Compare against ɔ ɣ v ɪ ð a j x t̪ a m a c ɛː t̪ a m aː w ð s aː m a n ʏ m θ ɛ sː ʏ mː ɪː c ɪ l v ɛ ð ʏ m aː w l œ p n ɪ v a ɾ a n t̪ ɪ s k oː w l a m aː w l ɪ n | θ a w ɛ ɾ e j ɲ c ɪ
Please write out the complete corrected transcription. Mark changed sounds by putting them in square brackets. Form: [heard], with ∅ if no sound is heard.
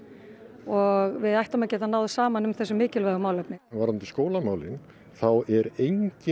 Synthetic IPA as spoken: ɔ ɣ v ɪ ð a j [h] t̪ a m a c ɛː t̪ a [n] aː w ð s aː m a n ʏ m θ ɛ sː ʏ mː ɪː c ɪ l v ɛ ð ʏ m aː w l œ p n ɪ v a ɾ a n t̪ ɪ s k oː w l a m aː w l ɪ n | θ a w ɛ ɾ e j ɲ c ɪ